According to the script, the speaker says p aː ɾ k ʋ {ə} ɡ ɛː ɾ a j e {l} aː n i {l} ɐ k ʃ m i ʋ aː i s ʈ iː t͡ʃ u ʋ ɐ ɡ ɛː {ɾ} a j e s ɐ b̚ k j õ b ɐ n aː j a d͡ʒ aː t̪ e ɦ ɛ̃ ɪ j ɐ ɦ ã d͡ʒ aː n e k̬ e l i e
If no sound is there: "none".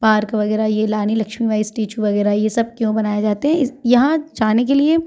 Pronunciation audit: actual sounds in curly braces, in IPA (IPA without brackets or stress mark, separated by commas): ɐ, l, l, ɾ